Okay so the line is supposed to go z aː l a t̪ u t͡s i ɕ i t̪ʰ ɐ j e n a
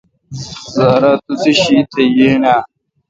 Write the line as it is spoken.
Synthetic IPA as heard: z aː ɾ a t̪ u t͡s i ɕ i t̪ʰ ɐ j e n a